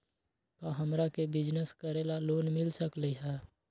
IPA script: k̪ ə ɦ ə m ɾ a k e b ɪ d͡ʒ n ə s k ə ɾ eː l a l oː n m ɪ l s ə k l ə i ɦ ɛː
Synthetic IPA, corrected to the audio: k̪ a ɦ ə m ɾ a k e b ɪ d͡ʒ n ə s k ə ɾ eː l a l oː n m ɪ l s ə k l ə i ɦ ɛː